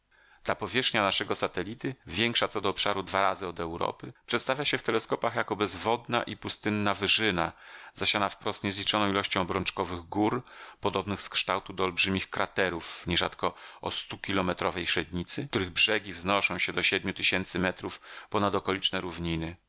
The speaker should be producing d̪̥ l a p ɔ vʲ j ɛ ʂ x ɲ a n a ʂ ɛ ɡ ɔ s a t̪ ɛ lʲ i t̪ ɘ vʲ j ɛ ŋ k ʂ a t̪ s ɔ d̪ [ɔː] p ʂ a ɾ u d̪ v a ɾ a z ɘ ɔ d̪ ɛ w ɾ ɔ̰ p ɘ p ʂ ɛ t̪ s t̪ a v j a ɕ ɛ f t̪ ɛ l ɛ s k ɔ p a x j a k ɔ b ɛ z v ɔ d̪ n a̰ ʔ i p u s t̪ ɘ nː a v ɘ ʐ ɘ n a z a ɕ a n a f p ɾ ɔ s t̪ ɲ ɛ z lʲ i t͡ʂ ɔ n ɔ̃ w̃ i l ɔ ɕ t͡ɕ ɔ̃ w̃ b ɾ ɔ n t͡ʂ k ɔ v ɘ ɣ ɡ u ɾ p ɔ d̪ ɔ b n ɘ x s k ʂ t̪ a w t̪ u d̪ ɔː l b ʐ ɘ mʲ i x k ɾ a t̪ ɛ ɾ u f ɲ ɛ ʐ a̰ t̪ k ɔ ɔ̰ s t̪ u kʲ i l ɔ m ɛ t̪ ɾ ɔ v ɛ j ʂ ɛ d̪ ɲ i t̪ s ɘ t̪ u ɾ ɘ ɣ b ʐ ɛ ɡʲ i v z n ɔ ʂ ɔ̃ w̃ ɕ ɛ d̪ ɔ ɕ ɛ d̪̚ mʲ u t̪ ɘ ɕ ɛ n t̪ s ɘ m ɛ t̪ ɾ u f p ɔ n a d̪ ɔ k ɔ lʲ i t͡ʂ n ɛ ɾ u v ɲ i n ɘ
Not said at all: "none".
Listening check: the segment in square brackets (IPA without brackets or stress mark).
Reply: ɔː